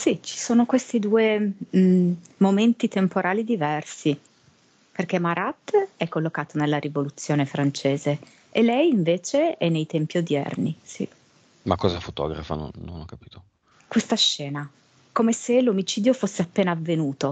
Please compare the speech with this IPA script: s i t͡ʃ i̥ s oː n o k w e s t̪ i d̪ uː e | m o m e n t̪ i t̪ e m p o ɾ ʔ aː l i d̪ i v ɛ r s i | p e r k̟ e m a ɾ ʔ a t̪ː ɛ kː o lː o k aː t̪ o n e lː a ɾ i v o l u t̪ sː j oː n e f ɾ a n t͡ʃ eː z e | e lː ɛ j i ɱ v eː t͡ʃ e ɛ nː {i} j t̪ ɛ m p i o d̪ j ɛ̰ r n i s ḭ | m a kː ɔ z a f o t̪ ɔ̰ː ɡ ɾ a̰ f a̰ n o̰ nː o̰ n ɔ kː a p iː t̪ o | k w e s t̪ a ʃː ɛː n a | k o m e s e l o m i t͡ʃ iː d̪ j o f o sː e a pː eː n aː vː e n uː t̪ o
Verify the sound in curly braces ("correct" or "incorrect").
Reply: incorrect